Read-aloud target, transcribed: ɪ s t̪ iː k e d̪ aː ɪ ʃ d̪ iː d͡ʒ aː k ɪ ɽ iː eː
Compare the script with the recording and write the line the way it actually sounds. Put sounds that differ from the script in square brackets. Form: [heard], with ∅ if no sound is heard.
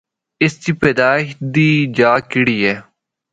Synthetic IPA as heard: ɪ s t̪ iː [p] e d̪ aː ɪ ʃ d̪ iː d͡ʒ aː k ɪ ɽ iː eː

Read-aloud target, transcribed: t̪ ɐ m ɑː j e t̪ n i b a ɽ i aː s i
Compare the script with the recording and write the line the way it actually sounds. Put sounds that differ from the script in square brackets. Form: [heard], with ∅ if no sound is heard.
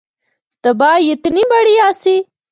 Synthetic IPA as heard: t̪ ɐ [b] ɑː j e t̪ n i b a ɽ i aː s i

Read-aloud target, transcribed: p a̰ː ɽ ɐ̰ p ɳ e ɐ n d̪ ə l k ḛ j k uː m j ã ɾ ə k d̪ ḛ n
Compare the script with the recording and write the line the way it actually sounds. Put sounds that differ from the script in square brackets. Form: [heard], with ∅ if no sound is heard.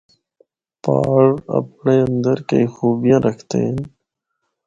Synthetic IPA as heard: p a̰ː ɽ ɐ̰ p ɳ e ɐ n d̪ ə [ɾ] k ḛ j [x] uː [b] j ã ɾ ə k [t̪] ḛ n

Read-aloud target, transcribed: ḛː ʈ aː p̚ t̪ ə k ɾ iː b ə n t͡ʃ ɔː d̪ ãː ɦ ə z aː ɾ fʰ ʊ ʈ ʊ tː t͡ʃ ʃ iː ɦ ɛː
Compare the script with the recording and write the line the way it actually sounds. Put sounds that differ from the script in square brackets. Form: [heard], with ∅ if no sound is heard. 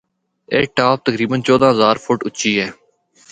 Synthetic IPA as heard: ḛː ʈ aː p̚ t̪ ə k ɾ iː b ə n t͡ʃ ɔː d̪ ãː ɦ ə z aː ɾ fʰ ʊ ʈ ʊ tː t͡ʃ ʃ iː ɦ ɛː

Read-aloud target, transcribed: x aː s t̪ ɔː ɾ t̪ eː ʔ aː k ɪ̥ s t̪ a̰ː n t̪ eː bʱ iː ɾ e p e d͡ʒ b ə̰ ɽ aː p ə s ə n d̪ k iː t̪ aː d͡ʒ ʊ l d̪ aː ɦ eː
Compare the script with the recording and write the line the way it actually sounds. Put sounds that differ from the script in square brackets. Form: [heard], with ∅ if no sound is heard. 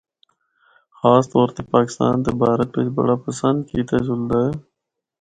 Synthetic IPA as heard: x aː s t̪ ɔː ɾ t̪ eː [p] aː k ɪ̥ s t̪ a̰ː n t̪ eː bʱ [aː] ɾ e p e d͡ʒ b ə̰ ɽ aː p ə s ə n d̪ k iː t̪ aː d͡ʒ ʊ l d̪ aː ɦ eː

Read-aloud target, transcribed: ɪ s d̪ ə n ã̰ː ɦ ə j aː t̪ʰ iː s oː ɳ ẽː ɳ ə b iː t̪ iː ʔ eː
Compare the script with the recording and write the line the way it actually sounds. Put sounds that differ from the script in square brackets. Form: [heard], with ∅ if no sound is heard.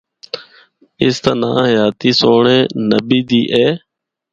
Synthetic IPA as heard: ɪ s [t̪] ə n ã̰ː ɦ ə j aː [t̪] iː s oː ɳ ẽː [n] ə b iː [d̪] iː ʔ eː

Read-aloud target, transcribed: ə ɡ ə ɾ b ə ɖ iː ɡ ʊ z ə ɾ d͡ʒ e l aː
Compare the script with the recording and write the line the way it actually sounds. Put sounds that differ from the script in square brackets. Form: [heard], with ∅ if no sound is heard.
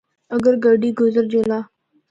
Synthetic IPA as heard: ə ɡ ə ɾ [ɡ] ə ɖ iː ɡ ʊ z ə ɾ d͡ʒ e l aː

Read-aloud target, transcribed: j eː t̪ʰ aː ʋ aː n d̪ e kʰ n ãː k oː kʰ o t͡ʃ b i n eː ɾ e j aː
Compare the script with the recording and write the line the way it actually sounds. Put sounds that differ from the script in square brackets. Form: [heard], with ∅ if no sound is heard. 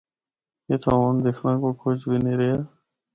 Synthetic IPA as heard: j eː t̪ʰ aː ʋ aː n d̪ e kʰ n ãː k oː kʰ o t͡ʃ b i n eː ɾ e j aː

